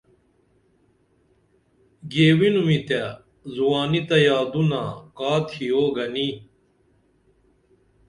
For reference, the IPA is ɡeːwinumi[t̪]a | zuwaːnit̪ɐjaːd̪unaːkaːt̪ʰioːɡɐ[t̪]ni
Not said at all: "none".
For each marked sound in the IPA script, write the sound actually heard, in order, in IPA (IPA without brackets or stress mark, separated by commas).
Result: t̪, none